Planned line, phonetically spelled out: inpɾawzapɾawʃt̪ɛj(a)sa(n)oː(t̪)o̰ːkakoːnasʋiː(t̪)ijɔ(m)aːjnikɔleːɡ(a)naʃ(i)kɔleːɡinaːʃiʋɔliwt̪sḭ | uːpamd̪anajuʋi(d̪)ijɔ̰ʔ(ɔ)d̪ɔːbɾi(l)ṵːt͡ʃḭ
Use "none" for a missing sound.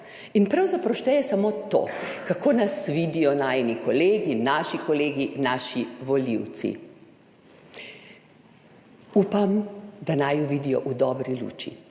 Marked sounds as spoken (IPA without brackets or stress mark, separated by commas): ɛ, m, t̪, d̪, n, i, i, d̪, u, l